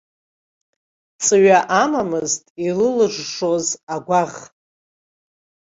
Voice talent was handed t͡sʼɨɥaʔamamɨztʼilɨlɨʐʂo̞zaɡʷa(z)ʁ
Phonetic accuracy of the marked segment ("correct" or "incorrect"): incorrect